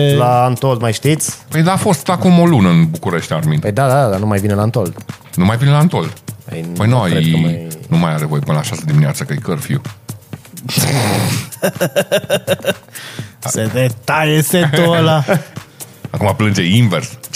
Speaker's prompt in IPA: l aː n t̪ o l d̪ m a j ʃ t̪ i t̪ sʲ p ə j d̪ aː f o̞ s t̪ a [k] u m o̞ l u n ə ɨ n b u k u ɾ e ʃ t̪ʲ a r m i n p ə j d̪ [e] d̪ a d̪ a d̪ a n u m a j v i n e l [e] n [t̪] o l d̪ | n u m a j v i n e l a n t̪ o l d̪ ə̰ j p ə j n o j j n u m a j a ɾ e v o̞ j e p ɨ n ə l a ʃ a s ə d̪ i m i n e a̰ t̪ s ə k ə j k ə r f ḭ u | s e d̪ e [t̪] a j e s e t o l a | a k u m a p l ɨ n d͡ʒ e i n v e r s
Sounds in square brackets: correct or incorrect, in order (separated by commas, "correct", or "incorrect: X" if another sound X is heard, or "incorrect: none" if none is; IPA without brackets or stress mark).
correct, incorrect: a, incorrect: a, correct, correct